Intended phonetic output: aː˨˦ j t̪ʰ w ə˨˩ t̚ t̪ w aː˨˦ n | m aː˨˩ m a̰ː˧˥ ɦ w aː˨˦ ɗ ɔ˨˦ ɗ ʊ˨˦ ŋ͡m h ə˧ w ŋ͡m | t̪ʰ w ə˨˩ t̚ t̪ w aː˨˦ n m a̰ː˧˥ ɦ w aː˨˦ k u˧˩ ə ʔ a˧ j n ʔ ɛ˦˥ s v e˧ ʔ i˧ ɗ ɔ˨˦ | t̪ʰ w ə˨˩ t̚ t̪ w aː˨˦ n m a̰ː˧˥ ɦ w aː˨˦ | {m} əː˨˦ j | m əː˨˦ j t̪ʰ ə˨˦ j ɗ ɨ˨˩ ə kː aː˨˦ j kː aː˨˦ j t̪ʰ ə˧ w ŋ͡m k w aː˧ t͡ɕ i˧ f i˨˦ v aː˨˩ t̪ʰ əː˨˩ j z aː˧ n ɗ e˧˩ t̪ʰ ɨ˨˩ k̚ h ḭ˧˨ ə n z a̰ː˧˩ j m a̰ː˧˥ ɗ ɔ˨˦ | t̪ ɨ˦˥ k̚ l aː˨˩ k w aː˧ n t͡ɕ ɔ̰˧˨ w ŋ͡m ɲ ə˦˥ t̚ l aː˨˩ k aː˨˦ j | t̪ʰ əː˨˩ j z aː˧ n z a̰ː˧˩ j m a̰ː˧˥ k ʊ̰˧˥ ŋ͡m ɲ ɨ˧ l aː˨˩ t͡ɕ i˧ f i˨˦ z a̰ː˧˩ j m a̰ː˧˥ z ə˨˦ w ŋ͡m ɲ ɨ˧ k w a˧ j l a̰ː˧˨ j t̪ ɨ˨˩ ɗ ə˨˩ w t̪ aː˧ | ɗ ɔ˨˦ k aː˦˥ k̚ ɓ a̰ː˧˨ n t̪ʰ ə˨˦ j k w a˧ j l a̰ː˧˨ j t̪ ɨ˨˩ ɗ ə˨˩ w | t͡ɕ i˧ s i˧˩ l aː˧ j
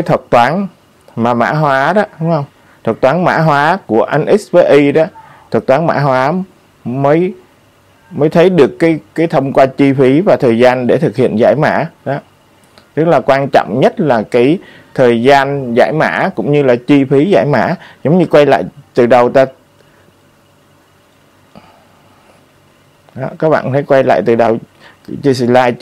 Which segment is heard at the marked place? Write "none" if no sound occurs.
m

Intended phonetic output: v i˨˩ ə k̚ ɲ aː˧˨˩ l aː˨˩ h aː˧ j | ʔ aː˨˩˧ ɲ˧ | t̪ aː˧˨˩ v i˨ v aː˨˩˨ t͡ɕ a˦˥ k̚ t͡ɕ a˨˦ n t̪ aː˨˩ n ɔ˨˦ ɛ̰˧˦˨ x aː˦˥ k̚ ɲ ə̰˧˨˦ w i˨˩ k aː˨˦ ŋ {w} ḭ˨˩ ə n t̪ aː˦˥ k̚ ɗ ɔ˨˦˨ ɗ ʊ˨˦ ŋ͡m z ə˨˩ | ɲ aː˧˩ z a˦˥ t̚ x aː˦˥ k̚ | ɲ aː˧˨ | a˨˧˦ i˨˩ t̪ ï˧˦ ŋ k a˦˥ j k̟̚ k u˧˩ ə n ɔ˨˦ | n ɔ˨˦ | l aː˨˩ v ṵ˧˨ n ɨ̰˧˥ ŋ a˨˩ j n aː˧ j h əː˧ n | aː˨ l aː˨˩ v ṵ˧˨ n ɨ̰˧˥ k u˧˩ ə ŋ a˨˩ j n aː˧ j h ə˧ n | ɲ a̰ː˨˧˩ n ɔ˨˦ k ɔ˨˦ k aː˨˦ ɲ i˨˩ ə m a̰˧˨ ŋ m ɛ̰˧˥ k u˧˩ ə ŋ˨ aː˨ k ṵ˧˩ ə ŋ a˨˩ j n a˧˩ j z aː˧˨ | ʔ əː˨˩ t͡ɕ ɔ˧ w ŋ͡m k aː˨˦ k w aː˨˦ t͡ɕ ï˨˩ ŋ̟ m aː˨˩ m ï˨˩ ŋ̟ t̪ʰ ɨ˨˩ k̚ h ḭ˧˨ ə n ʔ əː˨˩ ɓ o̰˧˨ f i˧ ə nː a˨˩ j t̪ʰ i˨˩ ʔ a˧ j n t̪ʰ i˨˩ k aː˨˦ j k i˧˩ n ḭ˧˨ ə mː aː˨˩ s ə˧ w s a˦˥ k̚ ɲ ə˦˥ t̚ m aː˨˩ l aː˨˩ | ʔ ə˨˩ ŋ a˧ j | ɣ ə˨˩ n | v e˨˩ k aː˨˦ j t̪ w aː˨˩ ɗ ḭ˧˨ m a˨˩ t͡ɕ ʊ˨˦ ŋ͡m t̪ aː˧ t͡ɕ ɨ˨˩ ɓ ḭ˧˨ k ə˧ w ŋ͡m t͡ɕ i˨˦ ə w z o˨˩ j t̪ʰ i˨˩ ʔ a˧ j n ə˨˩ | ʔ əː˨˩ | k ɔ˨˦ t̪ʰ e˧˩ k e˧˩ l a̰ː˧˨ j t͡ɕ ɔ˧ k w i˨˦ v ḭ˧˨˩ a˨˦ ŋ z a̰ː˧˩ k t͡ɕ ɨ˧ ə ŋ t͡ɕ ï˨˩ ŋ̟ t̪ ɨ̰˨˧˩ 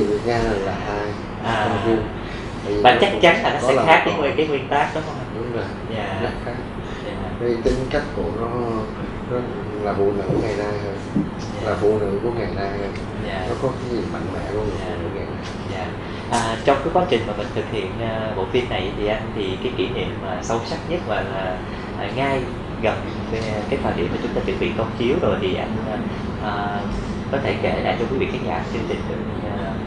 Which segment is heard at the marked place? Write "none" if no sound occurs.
w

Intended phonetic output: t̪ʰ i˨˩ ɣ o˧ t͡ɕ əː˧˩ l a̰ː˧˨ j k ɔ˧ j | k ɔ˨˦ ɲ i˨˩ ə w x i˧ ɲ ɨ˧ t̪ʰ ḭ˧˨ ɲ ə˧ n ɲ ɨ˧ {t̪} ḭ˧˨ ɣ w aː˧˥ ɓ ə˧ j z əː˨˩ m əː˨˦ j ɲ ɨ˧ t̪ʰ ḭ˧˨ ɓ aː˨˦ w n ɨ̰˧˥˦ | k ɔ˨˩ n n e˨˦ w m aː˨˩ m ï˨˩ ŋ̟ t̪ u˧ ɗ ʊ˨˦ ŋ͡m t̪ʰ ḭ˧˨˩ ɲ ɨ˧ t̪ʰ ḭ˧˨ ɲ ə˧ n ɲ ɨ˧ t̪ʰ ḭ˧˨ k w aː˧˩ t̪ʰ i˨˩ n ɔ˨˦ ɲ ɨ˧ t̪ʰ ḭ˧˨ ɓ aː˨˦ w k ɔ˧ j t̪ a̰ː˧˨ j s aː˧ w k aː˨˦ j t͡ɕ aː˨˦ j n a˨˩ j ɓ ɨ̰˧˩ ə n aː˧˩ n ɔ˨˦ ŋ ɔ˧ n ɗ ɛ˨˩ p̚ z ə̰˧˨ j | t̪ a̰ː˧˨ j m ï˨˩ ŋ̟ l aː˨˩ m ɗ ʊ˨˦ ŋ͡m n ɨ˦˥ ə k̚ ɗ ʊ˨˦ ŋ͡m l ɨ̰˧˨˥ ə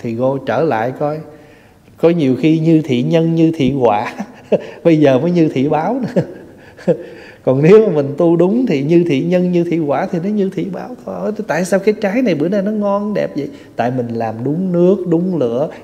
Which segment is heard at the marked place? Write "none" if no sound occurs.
t̪ʰ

